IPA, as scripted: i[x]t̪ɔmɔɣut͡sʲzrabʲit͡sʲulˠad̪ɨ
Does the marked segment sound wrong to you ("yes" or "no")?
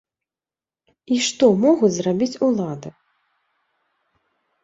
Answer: yes